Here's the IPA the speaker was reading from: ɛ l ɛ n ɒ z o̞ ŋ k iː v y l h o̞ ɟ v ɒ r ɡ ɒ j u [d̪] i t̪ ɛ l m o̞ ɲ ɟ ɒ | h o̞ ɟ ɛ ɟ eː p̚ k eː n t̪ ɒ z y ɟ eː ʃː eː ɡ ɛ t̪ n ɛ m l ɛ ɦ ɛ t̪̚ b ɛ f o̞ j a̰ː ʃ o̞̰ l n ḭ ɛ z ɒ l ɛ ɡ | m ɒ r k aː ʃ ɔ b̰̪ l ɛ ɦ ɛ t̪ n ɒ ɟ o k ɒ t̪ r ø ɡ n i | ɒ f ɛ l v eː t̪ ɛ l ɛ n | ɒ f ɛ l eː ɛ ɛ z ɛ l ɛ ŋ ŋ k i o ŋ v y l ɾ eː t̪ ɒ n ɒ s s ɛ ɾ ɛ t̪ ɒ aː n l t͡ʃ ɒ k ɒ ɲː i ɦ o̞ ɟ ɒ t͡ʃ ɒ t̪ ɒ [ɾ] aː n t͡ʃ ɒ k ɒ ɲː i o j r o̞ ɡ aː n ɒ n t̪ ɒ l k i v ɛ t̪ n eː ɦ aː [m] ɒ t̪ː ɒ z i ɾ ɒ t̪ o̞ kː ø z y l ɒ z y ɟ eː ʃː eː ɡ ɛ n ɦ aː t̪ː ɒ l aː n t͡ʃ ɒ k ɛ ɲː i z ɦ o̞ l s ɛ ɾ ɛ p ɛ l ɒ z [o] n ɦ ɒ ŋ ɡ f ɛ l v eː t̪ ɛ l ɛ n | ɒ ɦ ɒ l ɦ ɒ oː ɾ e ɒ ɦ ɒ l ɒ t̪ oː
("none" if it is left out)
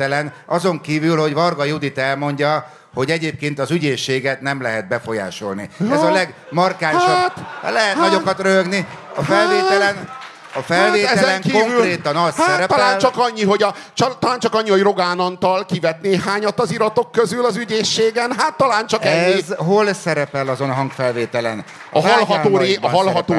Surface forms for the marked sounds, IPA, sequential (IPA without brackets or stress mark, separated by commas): d̪, l, ɲ, o